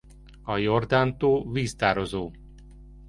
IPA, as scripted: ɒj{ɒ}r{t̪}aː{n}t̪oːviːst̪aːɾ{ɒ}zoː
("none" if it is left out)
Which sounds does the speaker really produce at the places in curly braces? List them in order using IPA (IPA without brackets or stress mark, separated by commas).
o, d̪, n, o